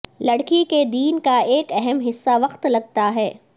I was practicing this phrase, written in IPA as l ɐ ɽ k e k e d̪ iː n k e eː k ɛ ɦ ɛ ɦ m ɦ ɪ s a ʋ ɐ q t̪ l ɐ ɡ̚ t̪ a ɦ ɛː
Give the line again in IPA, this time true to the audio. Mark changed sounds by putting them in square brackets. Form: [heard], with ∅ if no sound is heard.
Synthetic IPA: l ɐ ɽ k [i] k e d̪ iː n k [a] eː k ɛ ɦ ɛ [∅] m ɦ ɪ [sː] a ʋ ɐ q t̪ l ɐ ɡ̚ t̪ a ɦ ɛː